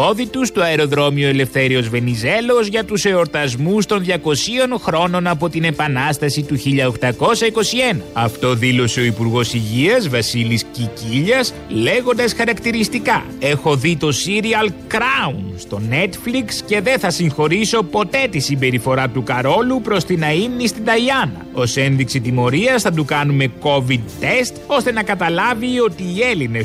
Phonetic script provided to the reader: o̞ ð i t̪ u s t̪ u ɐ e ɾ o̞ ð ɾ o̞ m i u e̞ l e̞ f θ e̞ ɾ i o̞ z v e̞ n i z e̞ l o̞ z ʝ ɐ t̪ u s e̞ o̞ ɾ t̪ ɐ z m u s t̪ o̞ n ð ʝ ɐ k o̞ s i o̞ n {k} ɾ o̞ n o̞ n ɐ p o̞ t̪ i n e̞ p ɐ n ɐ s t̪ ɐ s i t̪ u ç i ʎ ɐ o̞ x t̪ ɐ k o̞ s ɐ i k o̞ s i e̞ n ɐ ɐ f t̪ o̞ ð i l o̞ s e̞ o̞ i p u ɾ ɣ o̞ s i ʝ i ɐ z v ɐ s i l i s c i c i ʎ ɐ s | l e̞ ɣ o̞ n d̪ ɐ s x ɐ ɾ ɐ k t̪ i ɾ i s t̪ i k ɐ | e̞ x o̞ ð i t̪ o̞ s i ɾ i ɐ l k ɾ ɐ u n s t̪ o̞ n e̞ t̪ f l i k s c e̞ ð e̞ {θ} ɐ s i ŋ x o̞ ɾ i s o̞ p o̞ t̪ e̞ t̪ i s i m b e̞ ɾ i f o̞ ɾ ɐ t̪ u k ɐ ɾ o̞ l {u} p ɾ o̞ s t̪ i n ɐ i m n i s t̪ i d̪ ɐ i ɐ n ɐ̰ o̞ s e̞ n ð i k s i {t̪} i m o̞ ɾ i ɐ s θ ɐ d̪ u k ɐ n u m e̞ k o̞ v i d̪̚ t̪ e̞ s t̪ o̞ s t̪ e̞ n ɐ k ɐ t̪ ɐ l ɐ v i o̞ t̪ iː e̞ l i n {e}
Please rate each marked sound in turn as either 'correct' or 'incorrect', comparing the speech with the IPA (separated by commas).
incorrect, correct, correct, correct, correct